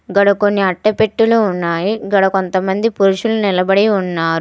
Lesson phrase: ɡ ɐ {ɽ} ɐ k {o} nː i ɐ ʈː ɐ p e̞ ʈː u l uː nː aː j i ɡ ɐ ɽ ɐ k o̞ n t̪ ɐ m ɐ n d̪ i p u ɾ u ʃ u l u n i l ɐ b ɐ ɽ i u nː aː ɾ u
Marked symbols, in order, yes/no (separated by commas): yes, yes